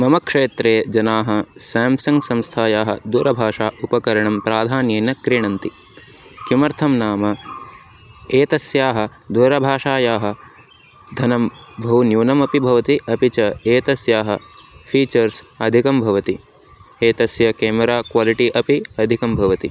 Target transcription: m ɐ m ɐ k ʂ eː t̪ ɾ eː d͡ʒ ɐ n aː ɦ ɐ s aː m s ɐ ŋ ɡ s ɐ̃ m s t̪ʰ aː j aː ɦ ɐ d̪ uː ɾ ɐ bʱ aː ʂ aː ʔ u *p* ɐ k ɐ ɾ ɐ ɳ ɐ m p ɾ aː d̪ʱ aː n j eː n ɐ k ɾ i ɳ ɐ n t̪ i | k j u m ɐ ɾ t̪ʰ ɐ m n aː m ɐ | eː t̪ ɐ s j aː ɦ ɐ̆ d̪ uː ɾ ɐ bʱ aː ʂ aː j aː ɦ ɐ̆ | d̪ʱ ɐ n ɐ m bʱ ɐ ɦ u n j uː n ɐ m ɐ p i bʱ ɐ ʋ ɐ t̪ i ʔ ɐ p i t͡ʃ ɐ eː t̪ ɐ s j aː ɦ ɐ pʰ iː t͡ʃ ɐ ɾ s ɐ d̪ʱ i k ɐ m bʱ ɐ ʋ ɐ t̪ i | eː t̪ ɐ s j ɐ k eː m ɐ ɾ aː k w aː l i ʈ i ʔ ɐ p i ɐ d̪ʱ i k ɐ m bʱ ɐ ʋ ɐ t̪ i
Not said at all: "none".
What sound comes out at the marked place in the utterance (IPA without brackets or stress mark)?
p